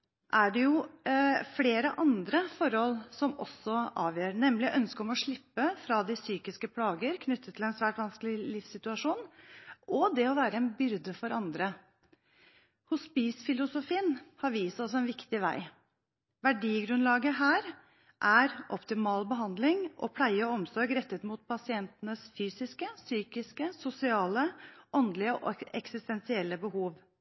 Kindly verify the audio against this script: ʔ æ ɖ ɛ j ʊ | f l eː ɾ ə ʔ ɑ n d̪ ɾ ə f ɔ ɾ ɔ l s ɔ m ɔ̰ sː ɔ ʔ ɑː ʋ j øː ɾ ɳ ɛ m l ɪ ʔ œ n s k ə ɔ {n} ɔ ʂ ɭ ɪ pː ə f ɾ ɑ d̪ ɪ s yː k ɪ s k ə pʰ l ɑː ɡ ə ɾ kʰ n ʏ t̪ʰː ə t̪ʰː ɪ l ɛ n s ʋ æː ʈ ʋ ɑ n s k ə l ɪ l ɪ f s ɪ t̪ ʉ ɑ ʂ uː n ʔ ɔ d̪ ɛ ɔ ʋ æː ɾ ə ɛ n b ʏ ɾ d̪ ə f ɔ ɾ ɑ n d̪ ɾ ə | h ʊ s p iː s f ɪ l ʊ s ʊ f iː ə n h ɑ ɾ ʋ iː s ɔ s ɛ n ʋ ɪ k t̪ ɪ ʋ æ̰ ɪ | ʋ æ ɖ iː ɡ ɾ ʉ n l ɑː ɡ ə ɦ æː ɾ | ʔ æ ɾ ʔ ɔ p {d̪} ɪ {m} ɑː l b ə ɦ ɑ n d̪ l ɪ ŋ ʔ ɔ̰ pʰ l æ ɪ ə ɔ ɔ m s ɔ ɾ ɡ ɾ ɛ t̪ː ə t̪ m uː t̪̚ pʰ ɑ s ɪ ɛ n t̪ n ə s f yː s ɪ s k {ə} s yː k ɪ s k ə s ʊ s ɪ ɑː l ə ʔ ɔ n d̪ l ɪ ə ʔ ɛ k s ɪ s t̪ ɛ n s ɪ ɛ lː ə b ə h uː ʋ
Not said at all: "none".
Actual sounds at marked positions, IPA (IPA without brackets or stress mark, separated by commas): m, t̪, m, ə